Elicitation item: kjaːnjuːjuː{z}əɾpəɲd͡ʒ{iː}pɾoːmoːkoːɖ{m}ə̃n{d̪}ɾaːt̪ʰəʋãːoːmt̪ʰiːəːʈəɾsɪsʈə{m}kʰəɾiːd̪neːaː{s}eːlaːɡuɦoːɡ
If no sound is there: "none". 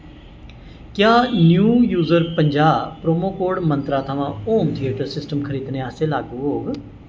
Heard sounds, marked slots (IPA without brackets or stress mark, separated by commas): z, aː, m, t̪, m, s